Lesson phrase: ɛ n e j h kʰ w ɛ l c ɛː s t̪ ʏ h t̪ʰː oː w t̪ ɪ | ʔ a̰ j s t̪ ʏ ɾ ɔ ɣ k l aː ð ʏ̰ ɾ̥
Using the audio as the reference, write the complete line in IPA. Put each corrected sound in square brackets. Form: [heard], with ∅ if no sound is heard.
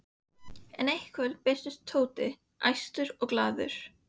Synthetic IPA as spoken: ɛ n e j h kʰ [v] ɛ l [p] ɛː s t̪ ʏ [s] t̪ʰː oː w t̪ ɪ | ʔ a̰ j s t̪ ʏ ɾ ɔ ɣ k l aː ð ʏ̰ ɾ̥